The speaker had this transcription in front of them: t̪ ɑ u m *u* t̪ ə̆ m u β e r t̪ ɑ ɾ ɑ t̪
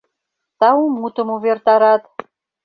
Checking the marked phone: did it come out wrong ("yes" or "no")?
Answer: no